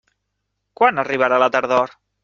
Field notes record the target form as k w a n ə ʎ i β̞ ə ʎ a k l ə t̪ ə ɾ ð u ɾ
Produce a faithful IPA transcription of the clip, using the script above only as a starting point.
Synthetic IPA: k w a n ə r i β̞ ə ɾ a l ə t̪ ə ɾ ð ɔ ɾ